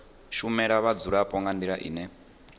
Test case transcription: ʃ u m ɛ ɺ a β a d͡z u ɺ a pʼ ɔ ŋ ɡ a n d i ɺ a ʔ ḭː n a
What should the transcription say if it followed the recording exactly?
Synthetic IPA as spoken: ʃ u m ɛ ɺ a β a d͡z u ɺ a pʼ ɔ ŋ ɡ a n d i ɺ a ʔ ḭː n ɛ

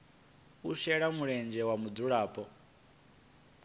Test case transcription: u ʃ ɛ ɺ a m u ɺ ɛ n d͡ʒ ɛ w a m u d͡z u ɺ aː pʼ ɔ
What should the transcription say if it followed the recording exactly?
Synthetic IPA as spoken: u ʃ ɛ ɺ a m u ɺ ɛ n d͡ʒ ɛ w a m u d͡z u ɺ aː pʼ ɔ

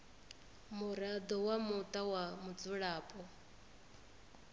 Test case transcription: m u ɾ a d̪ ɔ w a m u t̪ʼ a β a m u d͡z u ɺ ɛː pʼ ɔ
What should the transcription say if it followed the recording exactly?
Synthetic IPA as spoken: m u ɾ a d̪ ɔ w a m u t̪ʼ a w a m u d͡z u ɺ aː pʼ ɔ

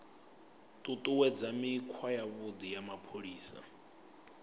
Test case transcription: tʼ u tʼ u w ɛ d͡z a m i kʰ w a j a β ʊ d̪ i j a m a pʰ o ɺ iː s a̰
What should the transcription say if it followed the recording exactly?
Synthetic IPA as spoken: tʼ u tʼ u w ɛ d͡z a m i kʰ w a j a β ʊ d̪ i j a m a pʰ o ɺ iː s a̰

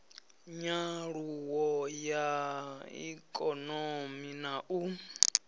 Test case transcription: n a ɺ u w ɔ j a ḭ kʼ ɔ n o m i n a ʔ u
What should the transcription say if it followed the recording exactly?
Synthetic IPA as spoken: ɲ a ɺ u w ɔ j a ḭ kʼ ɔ n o m i n a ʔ u

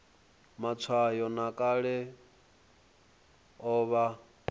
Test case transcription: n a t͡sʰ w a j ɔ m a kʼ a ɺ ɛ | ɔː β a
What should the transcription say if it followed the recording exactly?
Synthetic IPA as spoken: m a t͡sʰ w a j ɔ n a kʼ a ɺ ɛ | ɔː β a

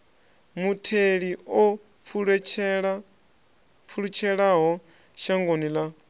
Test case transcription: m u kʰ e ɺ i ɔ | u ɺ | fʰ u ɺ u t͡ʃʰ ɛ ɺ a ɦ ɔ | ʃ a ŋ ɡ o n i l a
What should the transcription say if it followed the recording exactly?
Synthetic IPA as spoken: m u tʰ e ɺ i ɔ | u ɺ | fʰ u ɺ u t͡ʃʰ ɛ ɺ a ɦ ɔ | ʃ a ŋ ɡ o n i l a

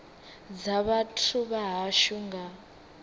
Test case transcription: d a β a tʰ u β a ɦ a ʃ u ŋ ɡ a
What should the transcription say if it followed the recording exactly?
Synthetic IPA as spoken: d͡z a β a tʰ u β a ɦ a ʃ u ŋ ɡ a

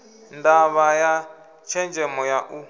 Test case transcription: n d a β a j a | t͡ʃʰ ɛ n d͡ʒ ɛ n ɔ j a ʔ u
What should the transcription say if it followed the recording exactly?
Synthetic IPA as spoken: n d a β a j a | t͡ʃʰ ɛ n d͡ʒ ɛ m ɔ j a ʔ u

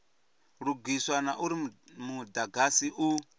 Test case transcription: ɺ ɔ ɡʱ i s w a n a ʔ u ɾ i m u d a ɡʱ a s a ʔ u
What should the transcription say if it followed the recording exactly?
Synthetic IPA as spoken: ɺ u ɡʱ i s w a n a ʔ u ɾ i m u d a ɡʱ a s i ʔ u

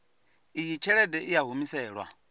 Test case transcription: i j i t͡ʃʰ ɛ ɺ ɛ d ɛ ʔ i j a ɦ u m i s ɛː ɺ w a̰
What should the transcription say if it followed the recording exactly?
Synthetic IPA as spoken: i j i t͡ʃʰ ɛ ɺ ɛ d ɛ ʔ i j a ɦ u m i s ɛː ɺ w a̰

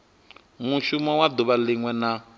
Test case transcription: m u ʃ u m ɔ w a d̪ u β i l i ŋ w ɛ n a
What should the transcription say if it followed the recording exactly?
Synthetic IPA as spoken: m u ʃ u m ɔ w a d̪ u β a l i ŋ w ɛ n a

